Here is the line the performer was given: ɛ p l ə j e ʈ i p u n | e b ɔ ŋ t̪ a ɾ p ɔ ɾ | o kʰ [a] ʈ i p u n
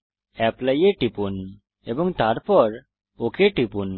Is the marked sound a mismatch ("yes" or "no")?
yes